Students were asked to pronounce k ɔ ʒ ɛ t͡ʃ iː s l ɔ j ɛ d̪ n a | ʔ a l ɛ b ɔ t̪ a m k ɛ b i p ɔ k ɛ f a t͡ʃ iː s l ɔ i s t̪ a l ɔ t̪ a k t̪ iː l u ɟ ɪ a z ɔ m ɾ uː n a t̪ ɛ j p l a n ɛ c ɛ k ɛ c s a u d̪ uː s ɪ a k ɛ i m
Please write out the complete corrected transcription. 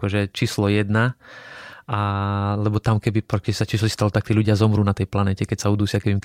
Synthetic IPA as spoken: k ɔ ʒ ɛ t͡ʃ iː s l ɔ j ɛ d̪ n a | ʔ a l ɛ b ɔ t̪ a m k ɛ b i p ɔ k ɛ s a t͡ʃ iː s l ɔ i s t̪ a l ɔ t̪ a k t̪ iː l u ɟ ɪ a z ɔ m ɾ uː n a t̪ ɛ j p l a n ɛ c ɛ k ɛ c s a u d̪ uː s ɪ a k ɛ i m